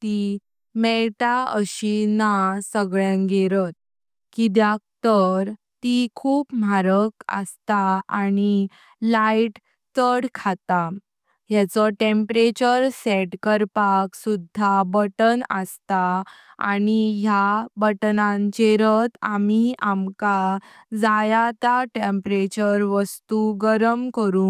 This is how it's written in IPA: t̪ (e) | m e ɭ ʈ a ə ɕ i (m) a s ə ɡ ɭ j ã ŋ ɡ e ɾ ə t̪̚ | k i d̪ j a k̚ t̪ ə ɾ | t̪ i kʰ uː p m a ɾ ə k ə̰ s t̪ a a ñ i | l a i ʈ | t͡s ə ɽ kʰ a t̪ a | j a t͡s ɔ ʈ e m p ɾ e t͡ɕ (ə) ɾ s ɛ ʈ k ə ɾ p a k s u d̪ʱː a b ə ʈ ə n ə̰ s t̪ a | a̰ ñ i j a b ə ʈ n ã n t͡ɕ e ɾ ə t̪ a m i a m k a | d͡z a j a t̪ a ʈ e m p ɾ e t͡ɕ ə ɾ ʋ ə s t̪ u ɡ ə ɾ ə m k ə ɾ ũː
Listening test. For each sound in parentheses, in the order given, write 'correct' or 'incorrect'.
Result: incorrect: i, incorrect: n, correct

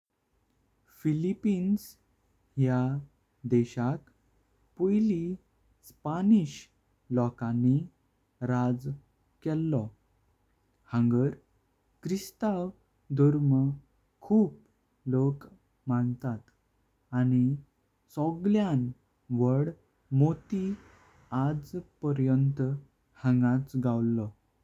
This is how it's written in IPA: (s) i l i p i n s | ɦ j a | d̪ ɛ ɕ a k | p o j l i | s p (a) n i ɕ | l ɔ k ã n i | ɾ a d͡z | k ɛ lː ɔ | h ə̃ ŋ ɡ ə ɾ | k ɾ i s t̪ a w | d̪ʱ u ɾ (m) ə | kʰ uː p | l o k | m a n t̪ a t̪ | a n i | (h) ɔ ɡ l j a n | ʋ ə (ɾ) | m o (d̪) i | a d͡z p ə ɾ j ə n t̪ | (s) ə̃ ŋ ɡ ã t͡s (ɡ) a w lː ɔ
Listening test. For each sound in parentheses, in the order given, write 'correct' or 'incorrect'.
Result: incorrect: f, correct, correct, incorrect: s, incorrect: ɽ, incorrect: t̪, incorrect: h, correct

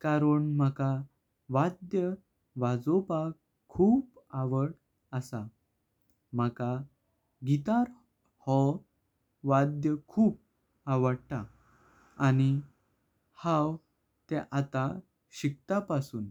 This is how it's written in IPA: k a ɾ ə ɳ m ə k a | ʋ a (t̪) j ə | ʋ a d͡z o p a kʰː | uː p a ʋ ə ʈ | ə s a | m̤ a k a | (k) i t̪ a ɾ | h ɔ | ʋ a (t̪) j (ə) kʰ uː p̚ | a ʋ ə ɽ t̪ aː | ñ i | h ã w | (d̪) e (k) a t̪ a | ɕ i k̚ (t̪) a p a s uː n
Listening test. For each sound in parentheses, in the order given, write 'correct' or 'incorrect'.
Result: incorrect: d̪, incorrect: ɡ, incorrect: d̪, correct, incorrect: t̪, incorrect: ʔ, correct

